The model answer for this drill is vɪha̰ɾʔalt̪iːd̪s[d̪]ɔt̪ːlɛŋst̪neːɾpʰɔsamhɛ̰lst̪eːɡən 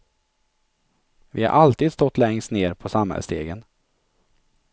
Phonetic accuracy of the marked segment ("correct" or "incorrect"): incorrect